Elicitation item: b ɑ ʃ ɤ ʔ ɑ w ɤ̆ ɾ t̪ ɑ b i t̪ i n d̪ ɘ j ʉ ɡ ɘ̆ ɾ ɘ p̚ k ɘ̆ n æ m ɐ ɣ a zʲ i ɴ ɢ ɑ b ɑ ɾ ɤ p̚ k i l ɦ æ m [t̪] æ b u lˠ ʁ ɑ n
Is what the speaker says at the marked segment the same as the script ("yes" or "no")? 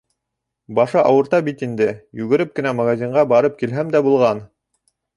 no